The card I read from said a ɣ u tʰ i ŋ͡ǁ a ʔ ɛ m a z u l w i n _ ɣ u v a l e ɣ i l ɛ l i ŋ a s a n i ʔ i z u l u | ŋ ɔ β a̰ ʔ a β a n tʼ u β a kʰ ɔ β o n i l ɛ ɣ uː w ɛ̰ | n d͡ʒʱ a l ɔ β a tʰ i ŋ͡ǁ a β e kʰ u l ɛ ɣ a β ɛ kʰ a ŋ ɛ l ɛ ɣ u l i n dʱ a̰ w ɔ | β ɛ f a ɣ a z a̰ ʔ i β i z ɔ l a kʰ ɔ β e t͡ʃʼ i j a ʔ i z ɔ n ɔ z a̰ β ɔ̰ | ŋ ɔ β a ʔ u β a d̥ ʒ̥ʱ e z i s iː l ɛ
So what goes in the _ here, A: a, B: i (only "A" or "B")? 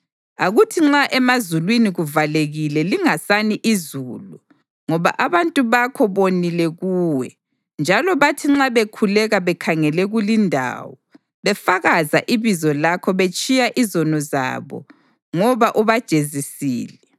B